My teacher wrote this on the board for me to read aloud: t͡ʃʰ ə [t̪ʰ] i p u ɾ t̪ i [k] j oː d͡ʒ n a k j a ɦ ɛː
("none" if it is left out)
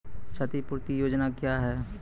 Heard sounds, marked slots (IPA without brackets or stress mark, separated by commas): t̪, none